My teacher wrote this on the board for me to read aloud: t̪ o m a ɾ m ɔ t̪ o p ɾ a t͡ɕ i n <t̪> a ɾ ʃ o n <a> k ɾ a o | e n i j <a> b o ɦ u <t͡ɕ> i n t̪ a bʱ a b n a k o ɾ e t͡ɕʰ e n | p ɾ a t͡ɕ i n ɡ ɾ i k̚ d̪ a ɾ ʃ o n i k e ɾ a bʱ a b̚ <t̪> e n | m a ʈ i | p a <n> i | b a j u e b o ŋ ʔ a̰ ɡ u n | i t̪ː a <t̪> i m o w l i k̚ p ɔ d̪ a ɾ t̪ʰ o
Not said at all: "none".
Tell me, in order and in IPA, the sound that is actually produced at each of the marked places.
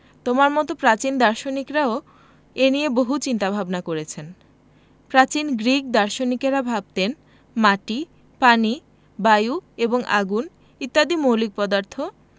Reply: d̪, i, e, t͡ɕ, t̪, n, d̪

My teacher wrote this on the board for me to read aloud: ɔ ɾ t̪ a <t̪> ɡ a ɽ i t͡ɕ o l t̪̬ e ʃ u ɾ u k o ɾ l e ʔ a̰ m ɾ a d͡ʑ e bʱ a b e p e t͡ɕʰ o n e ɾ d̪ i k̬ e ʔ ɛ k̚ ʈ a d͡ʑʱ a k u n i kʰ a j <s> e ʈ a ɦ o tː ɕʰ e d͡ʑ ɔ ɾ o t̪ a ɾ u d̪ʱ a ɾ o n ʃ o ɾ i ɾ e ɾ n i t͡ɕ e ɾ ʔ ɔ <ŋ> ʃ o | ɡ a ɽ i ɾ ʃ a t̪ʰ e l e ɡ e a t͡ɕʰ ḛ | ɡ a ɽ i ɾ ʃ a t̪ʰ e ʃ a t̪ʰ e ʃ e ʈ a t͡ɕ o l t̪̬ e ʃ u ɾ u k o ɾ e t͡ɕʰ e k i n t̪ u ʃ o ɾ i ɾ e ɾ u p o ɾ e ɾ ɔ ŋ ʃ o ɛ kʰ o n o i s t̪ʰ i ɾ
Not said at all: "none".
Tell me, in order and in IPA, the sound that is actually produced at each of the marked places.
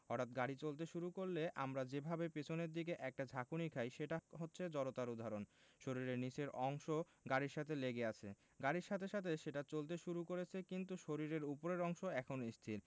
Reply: t̪, ʃ, ŋ

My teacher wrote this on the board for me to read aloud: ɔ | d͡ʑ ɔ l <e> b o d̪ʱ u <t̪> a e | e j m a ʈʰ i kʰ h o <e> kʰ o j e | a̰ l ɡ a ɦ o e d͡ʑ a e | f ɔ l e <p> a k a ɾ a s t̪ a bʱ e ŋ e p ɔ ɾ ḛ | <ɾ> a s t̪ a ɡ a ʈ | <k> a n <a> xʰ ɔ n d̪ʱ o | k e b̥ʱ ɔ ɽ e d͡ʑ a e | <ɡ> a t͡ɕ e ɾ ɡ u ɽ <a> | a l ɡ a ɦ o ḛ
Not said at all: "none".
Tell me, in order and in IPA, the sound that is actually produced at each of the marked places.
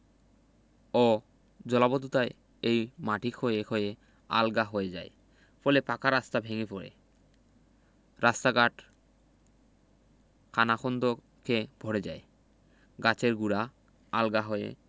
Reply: a, t̪, e, p, ɾ, kʰ, a, ɡ, a

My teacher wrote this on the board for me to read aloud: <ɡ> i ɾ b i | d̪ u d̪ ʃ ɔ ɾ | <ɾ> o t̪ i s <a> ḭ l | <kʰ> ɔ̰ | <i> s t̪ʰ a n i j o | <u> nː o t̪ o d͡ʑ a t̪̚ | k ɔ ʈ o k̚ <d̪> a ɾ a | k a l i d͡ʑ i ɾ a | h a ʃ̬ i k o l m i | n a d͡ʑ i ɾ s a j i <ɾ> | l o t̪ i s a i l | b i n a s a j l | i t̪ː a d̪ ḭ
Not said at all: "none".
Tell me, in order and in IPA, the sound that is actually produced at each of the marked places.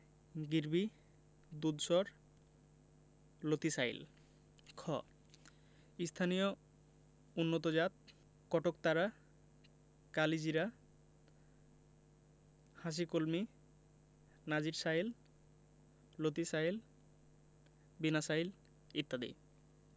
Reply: ɡ, l, a, kʰ, i, u, t̪, l

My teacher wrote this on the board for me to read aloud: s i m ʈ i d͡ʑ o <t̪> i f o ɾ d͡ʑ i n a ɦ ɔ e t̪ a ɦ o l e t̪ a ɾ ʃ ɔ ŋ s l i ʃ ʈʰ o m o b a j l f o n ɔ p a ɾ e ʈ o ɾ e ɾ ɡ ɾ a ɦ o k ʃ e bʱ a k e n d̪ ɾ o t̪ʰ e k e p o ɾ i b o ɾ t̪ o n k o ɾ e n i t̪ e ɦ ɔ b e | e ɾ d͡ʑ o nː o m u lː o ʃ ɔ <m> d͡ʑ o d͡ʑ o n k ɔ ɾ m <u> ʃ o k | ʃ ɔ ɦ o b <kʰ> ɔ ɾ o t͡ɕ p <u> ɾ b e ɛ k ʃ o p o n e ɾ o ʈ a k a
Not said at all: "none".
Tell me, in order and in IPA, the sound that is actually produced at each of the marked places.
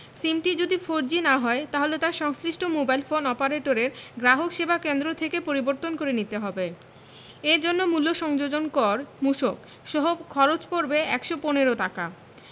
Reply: d̪, ŋ, u, kʰ, o

